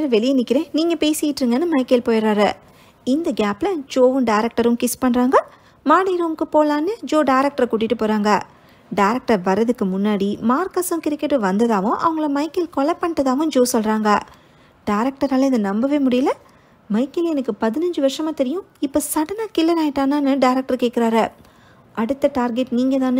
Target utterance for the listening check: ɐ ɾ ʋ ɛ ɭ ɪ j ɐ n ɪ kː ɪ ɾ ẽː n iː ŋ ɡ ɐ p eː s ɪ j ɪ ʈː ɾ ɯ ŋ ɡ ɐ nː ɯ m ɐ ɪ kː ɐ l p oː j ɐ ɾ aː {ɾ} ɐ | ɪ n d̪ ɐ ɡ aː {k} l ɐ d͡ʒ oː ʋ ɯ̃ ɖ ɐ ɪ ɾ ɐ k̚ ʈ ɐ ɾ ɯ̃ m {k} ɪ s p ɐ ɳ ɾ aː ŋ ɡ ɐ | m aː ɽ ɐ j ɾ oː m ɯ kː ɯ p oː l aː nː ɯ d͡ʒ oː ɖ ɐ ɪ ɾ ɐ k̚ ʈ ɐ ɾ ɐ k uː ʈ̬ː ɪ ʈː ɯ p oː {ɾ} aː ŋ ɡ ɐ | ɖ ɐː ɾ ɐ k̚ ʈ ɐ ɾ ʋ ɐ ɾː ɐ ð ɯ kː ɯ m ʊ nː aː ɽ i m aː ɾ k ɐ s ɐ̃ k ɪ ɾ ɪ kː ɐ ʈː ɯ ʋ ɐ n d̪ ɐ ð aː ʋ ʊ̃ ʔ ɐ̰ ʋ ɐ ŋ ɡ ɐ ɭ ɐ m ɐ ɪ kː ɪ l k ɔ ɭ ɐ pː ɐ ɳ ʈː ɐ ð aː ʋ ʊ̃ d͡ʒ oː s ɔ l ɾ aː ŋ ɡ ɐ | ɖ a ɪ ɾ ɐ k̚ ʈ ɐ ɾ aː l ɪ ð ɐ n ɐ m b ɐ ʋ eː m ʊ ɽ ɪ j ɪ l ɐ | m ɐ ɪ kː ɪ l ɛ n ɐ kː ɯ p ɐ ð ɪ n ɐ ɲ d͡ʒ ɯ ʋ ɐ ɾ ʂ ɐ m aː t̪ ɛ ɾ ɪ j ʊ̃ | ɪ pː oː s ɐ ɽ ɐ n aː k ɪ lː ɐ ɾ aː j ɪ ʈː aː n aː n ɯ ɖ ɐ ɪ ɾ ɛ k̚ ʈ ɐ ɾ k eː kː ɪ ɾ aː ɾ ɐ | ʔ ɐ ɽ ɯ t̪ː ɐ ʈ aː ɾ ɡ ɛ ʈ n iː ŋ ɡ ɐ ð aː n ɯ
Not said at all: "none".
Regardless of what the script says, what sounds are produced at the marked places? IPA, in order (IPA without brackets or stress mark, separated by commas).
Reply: ɾ, p, k, ɾ